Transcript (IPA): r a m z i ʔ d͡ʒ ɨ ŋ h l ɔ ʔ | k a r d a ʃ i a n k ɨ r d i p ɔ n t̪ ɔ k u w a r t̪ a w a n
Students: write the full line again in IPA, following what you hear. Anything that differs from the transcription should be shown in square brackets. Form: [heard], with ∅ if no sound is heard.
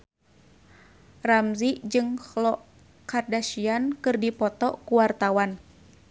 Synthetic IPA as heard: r a m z i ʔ d͡ʒ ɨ ŋ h l ɔ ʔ | k a r d a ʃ i a n k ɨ r d i p ɔ [∅] t̪ ɔ k u w a r t̪ a w a n